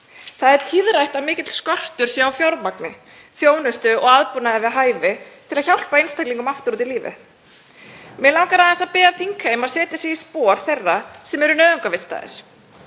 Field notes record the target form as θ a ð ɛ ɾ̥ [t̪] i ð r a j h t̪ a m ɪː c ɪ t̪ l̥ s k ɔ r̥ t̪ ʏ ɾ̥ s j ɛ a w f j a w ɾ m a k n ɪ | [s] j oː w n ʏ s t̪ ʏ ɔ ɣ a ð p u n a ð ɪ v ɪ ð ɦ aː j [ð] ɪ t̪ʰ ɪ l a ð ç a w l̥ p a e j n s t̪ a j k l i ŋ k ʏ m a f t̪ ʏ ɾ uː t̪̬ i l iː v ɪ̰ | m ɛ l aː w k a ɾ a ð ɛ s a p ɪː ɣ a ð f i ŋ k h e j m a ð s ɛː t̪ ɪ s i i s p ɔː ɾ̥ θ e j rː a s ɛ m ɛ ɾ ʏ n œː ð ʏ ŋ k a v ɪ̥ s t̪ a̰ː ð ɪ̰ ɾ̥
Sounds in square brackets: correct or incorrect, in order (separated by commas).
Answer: incorrect, incorrect, incorrect